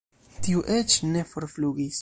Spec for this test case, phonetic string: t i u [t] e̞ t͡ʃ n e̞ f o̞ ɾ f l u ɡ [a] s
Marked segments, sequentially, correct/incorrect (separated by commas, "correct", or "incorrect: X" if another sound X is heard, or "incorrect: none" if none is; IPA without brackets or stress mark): incorrect: ʔ, incorrect: i